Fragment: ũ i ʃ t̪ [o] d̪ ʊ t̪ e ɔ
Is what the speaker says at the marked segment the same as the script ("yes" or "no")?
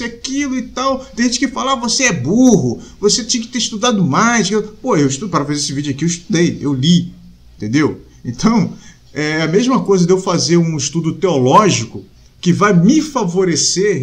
no